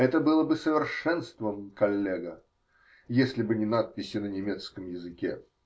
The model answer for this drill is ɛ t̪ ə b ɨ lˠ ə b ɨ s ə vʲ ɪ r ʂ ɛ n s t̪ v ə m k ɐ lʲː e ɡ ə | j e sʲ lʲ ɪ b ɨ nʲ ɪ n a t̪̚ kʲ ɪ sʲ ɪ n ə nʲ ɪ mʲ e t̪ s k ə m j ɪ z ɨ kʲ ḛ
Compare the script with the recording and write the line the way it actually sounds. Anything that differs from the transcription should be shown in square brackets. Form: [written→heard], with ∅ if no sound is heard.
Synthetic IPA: ɛ t̪ ə b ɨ lˠ ə b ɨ s ə vʲ ɪ r ʂ ɛ n s t̪ v ə m k ɐ lʲː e ɡ ə | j e sʲ lʲ ɪ b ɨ nʲ ɪ n a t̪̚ [kʲ→pʲ] ɪ sʲ ɪ n ə nʲ ɪ mʲ e t̪ s k ə m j ɪ z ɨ kʲ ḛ